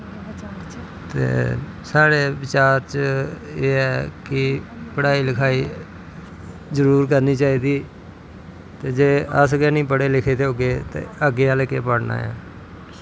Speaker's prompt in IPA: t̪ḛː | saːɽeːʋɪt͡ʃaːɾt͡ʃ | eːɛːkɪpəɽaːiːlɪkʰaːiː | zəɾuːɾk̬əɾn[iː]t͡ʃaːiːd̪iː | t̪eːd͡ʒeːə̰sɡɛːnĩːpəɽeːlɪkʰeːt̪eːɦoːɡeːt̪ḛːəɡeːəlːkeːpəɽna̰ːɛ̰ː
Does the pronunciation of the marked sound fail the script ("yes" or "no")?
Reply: no